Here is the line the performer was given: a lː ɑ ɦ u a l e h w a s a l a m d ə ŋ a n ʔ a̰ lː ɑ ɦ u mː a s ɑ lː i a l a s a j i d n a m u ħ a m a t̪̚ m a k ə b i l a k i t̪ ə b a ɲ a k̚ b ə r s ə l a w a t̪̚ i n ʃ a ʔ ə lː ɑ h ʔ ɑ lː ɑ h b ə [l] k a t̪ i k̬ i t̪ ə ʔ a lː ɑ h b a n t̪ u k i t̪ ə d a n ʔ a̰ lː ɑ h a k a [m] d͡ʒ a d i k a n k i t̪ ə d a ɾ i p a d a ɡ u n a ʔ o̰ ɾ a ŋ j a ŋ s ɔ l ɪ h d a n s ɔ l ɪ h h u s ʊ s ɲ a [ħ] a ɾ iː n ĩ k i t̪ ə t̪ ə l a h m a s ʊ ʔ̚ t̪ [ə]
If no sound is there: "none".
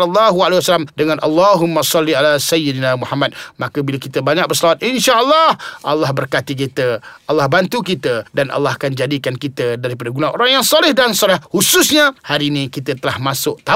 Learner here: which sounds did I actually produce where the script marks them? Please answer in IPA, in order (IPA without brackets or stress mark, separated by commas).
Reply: r, n, h, a